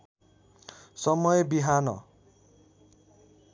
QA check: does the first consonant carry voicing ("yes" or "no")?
no